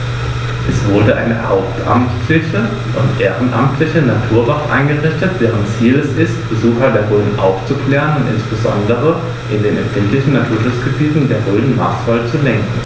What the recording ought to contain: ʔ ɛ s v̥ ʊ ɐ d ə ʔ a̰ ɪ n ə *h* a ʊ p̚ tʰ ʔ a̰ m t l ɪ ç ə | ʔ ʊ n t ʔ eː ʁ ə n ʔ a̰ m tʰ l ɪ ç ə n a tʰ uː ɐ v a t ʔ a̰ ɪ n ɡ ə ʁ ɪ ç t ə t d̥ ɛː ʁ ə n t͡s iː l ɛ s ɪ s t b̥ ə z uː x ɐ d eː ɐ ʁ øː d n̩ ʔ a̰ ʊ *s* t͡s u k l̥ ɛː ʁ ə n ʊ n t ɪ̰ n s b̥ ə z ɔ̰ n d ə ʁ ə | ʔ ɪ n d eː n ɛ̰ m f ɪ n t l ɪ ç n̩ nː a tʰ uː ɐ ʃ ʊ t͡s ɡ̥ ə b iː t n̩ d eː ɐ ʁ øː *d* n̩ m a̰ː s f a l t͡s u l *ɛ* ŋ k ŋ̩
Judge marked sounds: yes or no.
yes, no, yes, yes

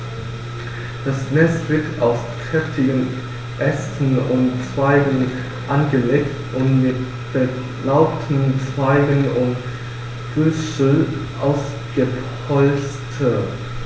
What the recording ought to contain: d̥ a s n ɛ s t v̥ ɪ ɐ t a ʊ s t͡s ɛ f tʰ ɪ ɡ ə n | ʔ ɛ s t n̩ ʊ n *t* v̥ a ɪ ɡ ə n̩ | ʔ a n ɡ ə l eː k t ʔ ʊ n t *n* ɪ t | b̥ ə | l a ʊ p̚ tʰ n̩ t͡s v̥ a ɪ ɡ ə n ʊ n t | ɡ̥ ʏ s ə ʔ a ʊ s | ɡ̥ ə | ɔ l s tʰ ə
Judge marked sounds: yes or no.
no, no

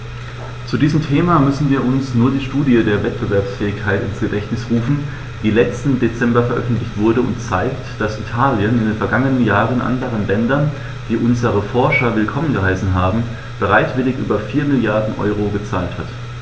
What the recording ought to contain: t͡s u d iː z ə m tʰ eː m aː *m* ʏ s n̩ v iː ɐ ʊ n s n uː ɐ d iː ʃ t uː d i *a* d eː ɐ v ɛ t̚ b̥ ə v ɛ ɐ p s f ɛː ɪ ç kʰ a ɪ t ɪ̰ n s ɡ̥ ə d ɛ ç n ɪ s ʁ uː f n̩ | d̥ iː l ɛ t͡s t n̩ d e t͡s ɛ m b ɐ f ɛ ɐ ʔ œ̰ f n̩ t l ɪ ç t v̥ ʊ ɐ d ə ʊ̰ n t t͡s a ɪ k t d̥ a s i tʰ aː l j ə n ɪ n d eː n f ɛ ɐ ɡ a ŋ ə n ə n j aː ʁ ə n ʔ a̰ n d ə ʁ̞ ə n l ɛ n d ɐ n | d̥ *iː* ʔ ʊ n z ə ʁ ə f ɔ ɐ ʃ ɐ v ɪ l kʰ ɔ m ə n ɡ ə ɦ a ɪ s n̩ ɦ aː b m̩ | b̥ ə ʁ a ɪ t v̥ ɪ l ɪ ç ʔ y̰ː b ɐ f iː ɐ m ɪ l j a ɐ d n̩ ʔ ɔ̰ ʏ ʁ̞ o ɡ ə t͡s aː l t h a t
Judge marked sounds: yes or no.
yes, no, yes

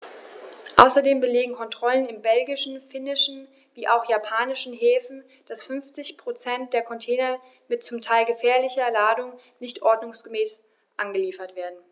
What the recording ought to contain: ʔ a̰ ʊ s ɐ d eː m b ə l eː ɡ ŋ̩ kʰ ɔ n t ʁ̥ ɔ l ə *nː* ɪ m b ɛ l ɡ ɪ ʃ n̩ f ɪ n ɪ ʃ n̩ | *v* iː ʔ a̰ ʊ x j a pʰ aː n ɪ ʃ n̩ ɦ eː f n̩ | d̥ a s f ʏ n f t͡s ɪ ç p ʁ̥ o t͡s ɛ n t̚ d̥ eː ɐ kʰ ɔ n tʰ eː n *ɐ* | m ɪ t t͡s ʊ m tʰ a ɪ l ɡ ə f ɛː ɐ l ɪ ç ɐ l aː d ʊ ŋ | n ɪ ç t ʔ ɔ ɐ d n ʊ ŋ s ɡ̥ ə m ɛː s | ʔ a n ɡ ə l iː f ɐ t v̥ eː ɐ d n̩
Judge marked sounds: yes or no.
no, yes, yes

